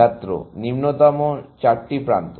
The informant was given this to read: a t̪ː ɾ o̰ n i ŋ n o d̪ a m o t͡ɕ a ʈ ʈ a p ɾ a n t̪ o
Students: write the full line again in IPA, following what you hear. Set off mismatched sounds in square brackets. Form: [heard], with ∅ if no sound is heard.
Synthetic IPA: a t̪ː ɾ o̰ n i [m] n o [t̪] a m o t͡ɕ a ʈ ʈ [i] p ɾ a n t̪ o